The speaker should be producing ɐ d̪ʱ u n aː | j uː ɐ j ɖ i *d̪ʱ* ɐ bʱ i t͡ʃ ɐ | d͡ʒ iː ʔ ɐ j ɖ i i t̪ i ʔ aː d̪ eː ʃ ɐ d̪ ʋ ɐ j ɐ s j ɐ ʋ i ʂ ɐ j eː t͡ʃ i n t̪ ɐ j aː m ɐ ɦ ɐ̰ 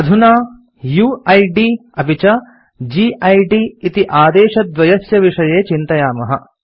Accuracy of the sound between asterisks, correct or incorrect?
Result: incorrect: none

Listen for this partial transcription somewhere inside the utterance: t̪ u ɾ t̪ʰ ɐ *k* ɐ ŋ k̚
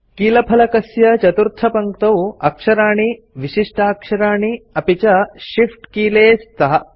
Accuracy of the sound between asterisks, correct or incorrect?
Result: incorrect: p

